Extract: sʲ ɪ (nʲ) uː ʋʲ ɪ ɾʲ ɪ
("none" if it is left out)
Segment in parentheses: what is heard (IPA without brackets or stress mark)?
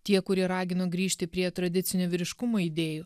nʲ